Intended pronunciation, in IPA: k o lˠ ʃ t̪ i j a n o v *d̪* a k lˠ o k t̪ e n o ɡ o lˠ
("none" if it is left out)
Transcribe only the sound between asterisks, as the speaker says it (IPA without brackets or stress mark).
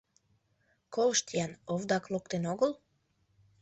d̪